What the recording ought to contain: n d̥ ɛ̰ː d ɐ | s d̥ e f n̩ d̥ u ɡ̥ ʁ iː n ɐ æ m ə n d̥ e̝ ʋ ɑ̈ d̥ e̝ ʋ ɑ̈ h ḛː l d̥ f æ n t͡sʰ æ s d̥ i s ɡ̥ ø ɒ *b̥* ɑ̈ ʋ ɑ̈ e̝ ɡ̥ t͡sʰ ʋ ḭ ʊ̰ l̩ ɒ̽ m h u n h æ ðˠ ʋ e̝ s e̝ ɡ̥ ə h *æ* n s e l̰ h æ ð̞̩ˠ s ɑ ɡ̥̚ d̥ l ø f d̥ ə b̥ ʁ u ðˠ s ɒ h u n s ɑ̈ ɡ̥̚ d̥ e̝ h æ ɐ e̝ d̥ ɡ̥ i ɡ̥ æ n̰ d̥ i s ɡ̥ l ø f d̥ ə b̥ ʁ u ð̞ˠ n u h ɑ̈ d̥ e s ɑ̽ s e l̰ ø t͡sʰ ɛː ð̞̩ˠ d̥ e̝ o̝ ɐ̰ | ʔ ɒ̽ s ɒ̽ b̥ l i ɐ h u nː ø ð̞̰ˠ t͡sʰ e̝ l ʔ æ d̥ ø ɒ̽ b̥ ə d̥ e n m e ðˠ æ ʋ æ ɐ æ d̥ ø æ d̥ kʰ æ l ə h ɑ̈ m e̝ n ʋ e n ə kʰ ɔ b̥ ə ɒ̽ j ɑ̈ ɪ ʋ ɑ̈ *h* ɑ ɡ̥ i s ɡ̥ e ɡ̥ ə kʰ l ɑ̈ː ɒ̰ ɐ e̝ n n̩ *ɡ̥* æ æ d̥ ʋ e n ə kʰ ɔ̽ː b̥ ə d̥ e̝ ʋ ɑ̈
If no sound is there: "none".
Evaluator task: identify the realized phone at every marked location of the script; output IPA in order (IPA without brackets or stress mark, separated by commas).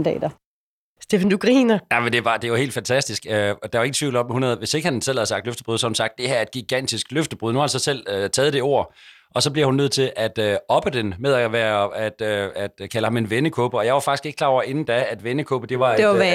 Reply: d̥, æ, f, d̥